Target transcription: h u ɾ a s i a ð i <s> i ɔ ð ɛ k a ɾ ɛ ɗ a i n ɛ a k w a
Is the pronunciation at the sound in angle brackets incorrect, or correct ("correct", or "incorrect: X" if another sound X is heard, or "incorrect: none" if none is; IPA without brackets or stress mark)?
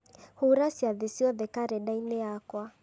correct